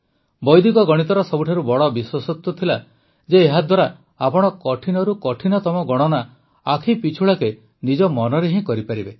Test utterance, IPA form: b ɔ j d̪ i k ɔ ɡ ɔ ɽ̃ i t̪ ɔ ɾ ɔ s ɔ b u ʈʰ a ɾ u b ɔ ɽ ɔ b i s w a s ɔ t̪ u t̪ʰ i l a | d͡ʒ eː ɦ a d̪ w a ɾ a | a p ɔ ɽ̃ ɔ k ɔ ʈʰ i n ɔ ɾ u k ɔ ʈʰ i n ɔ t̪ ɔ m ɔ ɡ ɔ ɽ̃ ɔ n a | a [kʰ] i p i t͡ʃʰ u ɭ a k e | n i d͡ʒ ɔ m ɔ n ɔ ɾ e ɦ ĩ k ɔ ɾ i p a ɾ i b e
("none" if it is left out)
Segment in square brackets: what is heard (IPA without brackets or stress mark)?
kʰ